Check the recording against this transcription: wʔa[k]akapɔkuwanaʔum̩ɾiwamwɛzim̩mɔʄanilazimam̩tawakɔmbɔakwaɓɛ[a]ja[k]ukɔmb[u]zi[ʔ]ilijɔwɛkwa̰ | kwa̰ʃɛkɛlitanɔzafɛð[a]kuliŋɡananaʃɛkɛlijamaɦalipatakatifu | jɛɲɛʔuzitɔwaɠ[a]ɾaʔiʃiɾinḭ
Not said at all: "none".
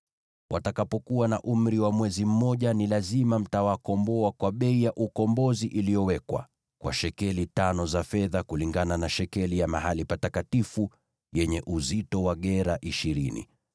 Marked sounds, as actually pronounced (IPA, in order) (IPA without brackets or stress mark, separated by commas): t, i, ʔ, ɔ, ʔ, a, ɛ